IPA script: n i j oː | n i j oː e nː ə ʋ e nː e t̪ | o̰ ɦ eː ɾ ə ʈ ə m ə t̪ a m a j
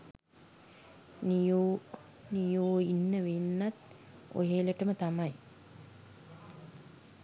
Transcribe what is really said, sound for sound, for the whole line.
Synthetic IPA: n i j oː | n i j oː i nː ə ʋ e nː a t̪ | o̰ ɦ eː l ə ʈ ə m ə t̪ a m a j